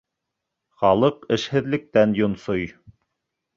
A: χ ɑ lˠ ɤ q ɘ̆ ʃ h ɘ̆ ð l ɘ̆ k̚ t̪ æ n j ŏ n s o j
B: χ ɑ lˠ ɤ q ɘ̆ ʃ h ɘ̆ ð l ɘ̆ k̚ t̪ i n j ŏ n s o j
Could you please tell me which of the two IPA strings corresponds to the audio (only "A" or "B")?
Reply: A